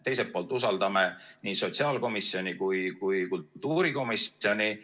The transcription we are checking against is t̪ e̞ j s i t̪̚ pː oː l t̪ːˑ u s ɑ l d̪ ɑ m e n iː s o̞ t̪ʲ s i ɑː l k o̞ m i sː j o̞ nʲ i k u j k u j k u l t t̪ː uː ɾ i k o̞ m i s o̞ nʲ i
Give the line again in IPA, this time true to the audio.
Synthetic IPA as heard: t̪ e̞ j s e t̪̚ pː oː l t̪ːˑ u s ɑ l d̪ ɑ m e n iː s o̞ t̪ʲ s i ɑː l k o̞ m i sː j o̞ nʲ i k u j k u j k u l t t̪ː uː ɾ i k o̞ m i s o̞ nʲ i